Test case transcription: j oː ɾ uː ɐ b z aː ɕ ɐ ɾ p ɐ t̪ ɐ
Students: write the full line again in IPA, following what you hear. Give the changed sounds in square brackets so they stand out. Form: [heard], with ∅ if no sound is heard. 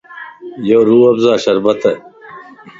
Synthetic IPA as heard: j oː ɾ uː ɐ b z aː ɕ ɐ ɾ [b] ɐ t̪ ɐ